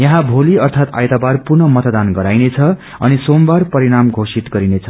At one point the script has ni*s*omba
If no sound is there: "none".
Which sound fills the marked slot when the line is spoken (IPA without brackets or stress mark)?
s